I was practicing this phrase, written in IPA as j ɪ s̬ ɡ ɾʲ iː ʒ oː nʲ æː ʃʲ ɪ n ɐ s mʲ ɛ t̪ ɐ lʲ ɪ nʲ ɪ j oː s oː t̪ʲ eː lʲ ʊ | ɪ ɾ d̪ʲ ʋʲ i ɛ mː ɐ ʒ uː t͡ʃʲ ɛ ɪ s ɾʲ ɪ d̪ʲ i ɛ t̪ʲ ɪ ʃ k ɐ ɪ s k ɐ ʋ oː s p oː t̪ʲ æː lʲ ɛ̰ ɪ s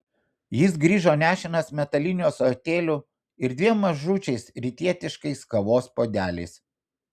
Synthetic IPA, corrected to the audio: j ɪ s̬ ɡ ɾʲ iː ʒ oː nʲ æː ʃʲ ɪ n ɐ s mʲ ɛ t̪ ɐ lʲ ɪ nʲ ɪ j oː s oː t̪ʲ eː lʲ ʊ | ɪ ɾ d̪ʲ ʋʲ i ɛ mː ɐ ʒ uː t͡ʃʲ ɛ ɪ s ɾʲ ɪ t̪ʲ i ɛ t̪ʲ ɪ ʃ k ɐ ɪ s k ɐ ʋ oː s p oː d̪ʲ æː lʲ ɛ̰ ɪ s